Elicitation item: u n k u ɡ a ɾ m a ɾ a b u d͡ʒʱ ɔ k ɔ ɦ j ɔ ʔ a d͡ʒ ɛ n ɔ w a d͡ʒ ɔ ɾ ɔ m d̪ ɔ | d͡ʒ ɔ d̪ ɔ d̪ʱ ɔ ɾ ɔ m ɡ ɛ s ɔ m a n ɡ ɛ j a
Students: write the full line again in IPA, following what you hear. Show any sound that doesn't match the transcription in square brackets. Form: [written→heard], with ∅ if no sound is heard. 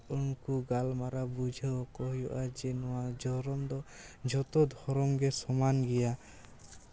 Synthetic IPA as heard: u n k u ɡ a [ɾ→l] m a ɾ a b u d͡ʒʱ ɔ k ɔ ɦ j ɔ ʔ a d͡ʒ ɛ n ɔ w a d͡ʒ ɔ ɾ ɔ m d̪ ɔ | d͡ʒ ɔ [d̪→t̪] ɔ d̪ʱ ɔ ɾ ɔ m ɡ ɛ s ɔ m a n ɡ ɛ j a